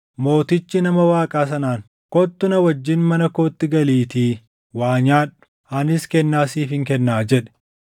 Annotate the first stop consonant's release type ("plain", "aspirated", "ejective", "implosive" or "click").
plain